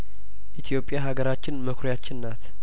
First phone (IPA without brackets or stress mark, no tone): ʔ